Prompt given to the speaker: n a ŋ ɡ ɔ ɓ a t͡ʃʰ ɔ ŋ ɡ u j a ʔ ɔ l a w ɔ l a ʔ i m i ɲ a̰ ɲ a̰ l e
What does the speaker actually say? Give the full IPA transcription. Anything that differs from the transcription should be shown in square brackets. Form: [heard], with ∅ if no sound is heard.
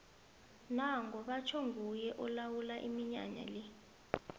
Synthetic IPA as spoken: n a ŋ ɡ ɔ ɓ a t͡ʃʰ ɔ ŋ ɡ u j [ɛ] ʔ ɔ l a w [u] l a ʔ i m i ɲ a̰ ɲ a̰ l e